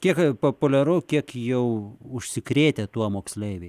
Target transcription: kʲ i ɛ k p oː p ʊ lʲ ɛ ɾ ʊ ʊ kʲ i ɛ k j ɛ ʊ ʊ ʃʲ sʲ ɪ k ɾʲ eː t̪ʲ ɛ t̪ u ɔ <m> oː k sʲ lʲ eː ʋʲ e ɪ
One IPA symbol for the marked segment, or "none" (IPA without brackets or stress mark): m